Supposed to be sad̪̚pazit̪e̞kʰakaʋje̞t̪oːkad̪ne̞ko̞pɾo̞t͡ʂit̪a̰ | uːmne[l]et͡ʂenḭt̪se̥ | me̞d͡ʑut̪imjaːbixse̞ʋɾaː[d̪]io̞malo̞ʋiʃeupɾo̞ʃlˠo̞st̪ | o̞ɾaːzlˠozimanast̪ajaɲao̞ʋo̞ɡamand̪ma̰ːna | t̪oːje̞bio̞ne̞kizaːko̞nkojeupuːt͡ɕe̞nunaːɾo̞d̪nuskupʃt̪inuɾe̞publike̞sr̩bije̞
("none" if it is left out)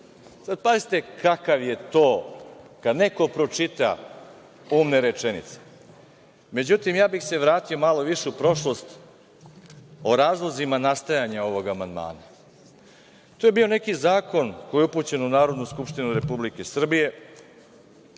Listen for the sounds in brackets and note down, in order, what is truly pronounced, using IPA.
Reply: ɾ, t̪

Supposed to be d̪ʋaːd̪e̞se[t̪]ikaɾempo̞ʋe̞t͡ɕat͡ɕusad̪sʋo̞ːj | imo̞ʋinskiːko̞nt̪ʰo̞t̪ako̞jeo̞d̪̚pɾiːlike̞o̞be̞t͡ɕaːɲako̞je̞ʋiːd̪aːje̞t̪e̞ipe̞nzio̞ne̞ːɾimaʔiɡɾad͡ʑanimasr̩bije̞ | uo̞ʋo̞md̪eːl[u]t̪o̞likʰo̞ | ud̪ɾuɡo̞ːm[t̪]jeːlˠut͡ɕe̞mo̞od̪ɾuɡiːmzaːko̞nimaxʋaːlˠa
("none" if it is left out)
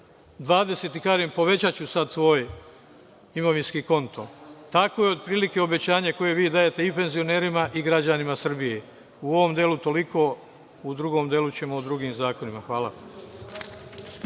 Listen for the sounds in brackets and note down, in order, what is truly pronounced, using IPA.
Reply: t̪, u, d̪

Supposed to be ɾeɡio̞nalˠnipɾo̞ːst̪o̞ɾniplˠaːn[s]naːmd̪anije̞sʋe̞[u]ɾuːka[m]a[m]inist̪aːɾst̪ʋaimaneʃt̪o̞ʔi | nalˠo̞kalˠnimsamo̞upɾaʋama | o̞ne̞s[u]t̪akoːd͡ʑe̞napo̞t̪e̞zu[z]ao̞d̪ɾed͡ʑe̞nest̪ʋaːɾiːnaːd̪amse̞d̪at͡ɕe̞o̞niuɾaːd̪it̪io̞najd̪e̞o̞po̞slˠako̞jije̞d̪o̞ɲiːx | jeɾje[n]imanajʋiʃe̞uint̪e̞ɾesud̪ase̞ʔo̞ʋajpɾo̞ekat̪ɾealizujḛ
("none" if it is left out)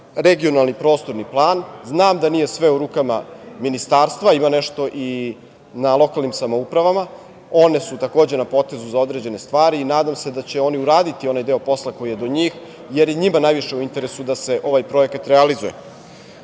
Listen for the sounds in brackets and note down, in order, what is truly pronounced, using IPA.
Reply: z, u, m, m, u, z, ɲ

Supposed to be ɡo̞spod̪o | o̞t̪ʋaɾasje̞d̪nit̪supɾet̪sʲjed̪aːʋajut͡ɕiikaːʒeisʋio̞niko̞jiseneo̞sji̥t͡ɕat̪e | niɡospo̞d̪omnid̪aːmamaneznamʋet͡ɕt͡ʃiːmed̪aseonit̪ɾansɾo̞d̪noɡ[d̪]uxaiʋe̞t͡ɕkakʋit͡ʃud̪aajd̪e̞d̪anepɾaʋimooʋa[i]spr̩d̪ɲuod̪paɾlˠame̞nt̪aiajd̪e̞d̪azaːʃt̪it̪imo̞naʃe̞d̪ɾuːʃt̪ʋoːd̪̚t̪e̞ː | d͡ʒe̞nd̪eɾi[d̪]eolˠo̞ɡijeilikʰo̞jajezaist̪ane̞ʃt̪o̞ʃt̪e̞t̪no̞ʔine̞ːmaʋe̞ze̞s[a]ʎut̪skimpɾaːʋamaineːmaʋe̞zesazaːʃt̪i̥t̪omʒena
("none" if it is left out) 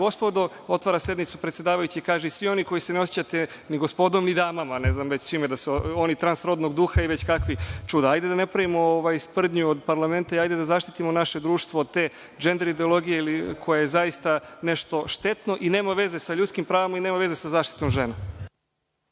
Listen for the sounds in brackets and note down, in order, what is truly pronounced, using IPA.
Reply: d̪, j, d̪, a

